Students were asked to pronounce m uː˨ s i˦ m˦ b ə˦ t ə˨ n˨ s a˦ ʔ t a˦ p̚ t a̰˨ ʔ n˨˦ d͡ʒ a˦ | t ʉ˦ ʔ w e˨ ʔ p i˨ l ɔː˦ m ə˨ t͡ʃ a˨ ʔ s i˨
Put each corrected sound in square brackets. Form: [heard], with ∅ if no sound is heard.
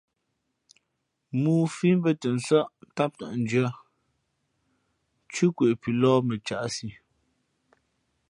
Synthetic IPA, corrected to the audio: m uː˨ [f] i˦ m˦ b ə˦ t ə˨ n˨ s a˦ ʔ t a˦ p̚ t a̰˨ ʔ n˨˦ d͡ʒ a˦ | [t͡ʃ] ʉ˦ [k] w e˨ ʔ p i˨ l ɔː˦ m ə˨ t͡ʃ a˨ ʔ s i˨